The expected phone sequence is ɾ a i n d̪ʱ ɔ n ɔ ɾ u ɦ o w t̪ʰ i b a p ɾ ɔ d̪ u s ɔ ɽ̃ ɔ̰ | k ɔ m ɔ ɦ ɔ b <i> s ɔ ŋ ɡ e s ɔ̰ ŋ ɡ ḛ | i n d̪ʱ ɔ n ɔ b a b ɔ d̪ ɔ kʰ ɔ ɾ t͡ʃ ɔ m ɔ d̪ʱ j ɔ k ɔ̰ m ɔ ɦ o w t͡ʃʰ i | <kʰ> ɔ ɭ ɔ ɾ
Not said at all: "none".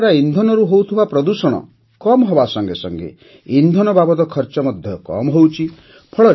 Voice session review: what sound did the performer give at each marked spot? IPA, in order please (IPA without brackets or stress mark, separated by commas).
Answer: a, pʰ